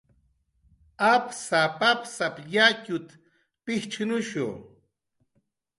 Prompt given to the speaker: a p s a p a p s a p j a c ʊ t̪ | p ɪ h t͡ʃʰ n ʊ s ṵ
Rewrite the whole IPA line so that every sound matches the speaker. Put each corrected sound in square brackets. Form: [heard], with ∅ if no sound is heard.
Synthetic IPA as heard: a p s a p a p s a p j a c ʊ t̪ | p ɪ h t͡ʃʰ n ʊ [ʃ] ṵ

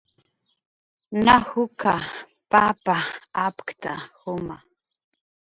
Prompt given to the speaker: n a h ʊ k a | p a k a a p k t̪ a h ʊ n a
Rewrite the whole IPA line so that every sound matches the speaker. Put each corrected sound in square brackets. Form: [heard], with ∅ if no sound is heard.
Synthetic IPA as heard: n a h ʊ k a | p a [p] a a p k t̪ a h ʊ [m] a

